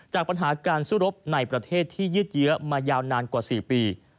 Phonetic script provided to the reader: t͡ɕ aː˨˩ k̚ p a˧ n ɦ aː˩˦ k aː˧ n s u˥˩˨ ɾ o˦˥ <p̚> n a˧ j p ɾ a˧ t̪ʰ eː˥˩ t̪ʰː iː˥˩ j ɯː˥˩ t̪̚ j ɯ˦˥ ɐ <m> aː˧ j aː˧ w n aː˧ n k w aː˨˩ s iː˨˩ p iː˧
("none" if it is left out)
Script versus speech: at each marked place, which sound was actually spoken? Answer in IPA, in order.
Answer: p̚, m

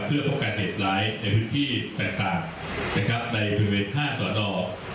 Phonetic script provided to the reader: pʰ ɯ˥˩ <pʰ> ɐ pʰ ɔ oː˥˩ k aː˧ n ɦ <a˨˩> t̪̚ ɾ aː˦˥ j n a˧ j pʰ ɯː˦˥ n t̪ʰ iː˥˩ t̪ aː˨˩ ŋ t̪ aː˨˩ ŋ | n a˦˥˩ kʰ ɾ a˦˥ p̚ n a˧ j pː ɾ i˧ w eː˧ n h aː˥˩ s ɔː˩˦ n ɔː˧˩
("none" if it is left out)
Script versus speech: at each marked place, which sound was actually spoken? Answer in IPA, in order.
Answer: none, e˨˩

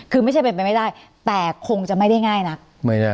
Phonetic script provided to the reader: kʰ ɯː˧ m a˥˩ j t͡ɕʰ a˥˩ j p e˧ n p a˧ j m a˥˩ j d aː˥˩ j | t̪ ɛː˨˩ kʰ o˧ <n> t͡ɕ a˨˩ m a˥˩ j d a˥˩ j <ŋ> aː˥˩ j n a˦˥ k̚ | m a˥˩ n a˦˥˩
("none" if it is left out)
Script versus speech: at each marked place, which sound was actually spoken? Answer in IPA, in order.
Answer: ŋ, ŋ

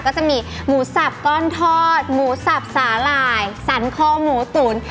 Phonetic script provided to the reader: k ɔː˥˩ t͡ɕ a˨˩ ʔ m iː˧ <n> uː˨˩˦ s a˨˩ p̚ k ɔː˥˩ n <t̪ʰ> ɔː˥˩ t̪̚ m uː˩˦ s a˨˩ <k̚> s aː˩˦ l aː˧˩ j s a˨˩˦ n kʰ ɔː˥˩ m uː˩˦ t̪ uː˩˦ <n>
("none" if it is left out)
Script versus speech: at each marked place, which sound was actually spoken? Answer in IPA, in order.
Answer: m, t̪ʰ, p̚, n

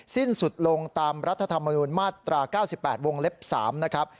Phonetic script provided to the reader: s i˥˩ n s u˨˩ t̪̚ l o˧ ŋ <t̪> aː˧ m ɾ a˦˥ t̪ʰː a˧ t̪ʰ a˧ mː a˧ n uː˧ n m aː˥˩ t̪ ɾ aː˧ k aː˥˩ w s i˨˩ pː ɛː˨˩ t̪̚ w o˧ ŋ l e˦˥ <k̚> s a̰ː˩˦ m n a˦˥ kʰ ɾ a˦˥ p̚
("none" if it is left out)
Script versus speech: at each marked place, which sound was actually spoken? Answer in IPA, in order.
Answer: t̪, p̚

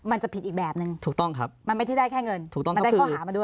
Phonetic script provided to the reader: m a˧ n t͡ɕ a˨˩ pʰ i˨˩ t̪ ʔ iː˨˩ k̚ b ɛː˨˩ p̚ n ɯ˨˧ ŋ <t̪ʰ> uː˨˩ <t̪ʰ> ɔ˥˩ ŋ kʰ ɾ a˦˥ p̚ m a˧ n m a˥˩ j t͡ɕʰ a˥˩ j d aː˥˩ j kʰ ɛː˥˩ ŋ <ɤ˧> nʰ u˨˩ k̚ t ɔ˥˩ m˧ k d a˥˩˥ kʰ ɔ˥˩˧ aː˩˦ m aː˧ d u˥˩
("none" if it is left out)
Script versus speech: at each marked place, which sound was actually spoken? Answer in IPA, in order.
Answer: t̪ʰ, t̪, ɤ˧

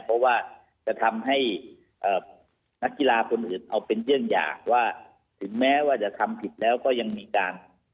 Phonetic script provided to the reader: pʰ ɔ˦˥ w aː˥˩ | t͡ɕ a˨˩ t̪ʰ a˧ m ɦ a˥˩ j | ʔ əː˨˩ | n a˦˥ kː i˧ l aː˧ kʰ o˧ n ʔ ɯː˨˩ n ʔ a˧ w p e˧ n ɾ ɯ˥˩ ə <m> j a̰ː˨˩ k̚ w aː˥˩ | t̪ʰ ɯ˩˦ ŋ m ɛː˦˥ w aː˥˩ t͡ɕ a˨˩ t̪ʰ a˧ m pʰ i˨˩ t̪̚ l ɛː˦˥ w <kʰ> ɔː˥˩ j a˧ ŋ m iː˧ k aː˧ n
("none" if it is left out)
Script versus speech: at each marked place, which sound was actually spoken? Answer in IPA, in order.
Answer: ŋ, k

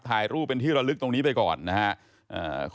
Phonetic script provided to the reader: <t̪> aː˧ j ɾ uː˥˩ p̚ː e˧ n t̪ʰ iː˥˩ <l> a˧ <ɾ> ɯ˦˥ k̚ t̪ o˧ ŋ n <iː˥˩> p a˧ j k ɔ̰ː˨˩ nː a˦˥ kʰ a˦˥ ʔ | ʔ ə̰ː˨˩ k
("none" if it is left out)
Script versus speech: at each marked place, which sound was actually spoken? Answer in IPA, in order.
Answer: t̪ʰ, ɾ, l, iː˦˥

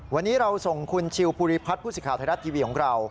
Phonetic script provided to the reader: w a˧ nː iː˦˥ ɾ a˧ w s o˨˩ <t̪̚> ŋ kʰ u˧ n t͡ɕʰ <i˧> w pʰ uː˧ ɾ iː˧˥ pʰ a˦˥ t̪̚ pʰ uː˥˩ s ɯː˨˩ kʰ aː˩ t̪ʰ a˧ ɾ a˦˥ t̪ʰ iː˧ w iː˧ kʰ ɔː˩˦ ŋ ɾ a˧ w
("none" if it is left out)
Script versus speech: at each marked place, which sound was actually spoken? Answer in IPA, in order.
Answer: none, i˧

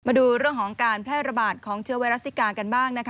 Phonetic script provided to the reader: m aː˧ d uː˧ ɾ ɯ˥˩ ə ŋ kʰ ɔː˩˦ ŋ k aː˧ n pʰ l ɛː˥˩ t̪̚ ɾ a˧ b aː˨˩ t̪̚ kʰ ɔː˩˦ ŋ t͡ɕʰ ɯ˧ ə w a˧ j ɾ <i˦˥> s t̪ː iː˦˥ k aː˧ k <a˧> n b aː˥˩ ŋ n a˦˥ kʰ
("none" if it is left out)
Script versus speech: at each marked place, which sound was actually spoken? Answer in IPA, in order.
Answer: a˦˥, a˧

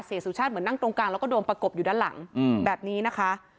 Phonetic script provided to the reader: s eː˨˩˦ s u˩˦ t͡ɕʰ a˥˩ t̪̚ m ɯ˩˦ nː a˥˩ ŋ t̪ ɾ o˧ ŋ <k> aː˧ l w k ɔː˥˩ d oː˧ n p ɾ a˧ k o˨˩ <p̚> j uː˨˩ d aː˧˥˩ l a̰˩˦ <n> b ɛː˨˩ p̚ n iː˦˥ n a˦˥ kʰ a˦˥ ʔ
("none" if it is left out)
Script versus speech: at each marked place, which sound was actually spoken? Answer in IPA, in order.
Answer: k, p̚, ŋ

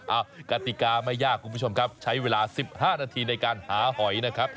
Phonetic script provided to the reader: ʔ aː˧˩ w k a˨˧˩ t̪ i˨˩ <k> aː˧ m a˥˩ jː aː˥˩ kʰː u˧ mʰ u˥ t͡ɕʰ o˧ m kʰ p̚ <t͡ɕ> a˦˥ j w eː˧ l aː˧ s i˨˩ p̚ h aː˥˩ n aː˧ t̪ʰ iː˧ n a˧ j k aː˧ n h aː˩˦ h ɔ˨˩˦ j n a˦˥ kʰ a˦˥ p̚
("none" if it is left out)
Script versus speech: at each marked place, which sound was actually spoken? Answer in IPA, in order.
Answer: k, t͡ɕʰ

